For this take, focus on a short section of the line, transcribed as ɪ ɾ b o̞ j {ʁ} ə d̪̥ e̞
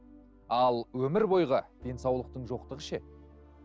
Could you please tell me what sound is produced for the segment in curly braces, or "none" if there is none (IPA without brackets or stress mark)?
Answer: ʁ